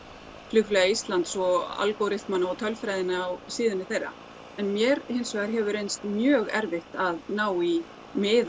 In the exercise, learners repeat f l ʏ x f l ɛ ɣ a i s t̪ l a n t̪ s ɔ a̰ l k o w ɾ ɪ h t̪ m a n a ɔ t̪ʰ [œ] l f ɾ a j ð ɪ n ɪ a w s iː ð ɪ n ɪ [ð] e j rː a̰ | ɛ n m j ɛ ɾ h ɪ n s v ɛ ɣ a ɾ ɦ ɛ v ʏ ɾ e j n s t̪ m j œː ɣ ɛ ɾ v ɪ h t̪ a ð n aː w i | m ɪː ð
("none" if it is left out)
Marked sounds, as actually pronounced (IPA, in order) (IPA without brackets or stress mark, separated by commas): œ, θ